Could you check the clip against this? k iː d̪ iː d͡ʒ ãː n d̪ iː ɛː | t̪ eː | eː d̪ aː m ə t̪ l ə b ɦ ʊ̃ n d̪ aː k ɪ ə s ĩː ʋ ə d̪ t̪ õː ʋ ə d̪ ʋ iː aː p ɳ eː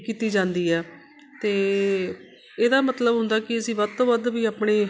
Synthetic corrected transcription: k iː t̪ iː d͡ʒ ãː n d̪ iː ɛː | t̪ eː | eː d̪ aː m ə t̪ l ə b ɦ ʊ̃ n d̪ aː k ɪ ə s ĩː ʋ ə d̪ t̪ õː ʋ ə d̪ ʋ iː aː p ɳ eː

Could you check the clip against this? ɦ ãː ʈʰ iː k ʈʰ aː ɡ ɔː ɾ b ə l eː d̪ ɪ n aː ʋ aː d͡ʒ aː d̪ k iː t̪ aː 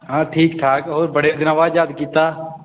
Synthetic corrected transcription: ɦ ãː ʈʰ iː k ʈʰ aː k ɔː ɾ b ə ɽ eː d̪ ɪ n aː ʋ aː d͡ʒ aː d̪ k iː t̪ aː

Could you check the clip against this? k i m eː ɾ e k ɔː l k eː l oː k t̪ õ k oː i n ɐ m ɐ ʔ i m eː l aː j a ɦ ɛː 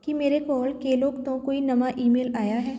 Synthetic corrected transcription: k i m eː ɾ e k ɔː l k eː l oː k t̪ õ k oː i n ɐ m a ʔ iː m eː l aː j a ɦ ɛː

